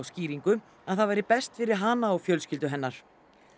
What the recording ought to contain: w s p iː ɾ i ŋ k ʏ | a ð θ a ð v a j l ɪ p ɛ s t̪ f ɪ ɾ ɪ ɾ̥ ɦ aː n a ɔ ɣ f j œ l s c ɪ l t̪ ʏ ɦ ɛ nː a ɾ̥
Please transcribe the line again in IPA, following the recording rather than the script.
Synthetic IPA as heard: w s c iː ɾ i ŋ k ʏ | a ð θ a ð v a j ɾ ɪ p ɛ s t̪ f ɪ ɾ ɪ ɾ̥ ɦ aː n a ɔ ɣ f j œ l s c ɪ l t̪ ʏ ɦ ɛ nː a ɾ̥